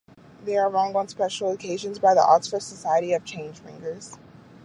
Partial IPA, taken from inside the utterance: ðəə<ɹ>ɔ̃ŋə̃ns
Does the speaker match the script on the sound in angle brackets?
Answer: yes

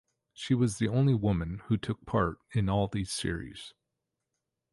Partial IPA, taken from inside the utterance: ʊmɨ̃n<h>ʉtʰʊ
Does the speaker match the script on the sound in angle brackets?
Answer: yes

